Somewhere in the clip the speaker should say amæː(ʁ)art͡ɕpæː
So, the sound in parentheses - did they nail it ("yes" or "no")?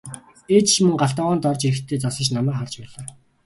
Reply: no